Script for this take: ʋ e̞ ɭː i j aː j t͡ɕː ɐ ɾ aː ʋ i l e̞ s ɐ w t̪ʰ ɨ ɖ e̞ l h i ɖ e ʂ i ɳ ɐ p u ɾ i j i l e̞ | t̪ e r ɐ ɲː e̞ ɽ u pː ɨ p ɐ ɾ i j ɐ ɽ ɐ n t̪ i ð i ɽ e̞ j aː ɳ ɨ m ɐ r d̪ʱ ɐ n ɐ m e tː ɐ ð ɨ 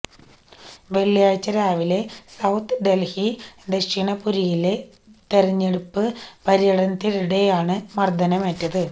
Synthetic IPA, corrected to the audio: ʋ e̞ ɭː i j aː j t͡ɕː ɐ ɾ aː ʋ i l e̞ s ɐ w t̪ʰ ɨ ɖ e̞ l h i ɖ e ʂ i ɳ ɐ p u ɾ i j i l e̞ | t̪ e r ɐ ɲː e̞ ɽ u pː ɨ p ɐ ɾ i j ɐ ɽ ɐ n t̪ i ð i ɽ e̞ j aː ɳ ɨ m ɐ r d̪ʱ ɐ n ɐ m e tː ɐ ð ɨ